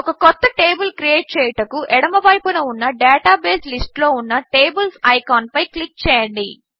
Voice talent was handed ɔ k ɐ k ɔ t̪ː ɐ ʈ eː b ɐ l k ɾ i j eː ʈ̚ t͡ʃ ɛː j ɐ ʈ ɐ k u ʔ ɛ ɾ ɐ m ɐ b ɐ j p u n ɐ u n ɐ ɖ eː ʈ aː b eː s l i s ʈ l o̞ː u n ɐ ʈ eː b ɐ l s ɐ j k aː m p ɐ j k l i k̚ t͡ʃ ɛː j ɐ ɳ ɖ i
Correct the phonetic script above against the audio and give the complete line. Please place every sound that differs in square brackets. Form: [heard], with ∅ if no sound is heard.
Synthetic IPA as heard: ɔ k ɐ k ɔ t̪ː ɐ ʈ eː b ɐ l k ɾ i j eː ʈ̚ t͡ʃ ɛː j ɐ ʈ ɐ k u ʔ ɛ [ɽ] ɐ m ɐ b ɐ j p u n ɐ u [nː] ɐ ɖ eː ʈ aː b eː s l i s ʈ l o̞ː u [nː] ɐ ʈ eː b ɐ l s ɐ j k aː [n] p ɐ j k l i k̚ t͡ʃ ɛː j ɐ ɳ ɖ i